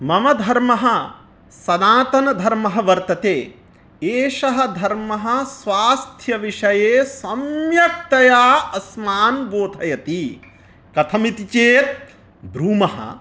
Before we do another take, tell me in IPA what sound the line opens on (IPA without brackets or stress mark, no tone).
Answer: m